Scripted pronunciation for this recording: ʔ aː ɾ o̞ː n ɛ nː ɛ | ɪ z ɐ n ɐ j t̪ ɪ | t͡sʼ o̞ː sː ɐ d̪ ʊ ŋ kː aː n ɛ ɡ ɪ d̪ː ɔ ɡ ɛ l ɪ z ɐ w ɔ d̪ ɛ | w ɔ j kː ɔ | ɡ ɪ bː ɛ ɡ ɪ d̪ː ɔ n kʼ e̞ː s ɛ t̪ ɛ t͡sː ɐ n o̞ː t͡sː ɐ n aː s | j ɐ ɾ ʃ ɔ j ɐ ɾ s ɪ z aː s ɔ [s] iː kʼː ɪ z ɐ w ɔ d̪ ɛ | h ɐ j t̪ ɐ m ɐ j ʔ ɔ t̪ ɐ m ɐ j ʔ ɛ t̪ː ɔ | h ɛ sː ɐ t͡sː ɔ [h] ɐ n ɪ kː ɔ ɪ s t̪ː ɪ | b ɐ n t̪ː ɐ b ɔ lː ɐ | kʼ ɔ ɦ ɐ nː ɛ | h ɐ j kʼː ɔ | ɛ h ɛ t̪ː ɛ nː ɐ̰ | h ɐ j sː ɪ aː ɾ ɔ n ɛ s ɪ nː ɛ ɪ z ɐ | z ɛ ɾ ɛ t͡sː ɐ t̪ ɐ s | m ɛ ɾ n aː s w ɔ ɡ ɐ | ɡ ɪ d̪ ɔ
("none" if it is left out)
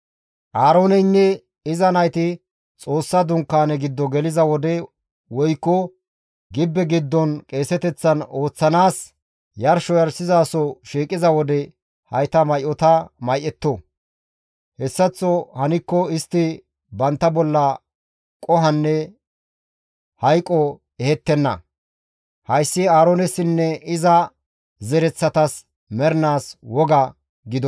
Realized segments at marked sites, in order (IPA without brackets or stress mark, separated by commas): ʃ, h